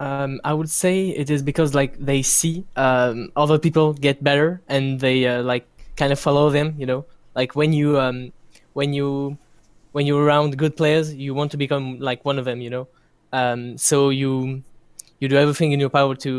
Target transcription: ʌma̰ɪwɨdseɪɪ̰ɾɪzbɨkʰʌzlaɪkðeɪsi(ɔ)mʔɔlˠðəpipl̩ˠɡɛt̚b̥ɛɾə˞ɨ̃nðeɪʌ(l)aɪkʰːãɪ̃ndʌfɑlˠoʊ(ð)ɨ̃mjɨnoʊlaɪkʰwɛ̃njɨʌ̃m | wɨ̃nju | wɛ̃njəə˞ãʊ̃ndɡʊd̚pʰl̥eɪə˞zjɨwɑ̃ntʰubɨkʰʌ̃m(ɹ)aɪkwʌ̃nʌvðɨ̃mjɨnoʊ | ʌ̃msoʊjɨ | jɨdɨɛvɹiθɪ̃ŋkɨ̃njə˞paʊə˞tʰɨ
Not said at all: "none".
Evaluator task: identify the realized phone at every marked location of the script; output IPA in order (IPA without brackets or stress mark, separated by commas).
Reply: ʌ, l, ð, l